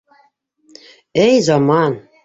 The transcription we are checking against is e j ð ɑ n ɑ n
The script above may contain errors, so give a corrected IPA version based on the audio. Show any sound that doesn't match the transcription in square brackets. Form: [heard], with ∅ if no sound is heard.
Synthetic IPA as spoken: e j [z] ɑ [m] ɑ n